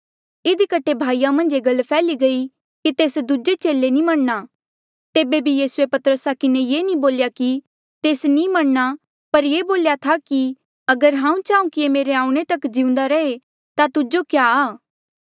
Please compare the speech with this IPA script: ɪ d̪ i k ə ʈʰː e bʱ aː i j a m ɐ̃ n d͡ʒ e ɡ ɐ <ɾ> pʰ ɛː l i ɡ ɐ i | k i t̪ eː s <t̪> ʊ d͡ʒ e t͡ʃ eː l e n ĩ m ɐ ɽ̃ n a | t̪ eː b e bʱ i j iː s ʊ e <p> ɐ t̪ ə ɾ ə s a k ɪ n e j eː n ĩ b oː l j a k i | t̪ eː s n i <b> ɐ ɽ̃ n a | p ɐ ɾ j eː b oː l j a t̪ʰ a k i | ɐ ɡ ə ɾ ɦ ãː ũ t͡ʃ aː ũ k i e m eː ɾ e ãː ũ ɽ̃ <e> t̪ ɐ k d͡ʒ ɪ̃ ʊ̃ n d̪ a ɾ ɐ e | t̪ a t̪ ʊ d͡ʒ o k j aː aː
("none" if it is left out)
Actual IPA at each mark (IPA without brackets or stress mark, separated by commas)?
l, d̪, p, m, e